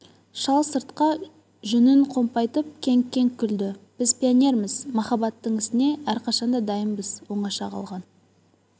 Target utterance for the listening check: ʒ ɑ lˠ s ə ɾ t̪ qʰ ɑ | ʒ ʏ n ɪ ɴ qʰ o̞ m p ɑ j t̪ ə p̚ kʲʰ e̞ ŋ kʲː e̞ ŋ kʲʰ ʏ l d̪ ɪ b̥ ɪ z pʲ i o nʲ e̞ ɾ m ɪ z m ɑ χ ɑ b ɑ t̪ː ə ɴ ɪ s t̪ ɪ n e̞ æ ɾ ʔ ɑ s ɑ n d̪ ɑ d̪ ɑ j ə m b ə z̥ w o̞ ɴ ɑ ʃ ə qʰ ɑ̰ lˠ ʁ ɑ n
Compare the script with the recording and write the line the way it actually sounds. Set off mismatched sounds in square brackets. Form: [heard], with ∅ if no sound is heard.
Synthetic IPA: [ʃ] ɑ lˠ s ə ɾ t̪ [q] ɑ | ʒ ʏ n ɪ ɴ qʰ o̞ m p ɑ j t̪ ə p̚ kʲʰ e̞ ŋ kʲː e̞ ŋ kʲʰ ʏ l d̪ ɪ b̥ ɪ z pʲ i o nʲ e̞ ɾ m ɪ z m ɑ χ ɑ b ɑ t̪ː ə ɴ ɪ s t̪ ɪ n e̞ æ ɾ [q] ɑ [ʃ] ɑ n d̪ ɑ d̪ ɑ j ə m b ə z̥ w o̞ ɴ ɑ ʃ [ɑ] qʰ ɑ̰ lˠ ʁ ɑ n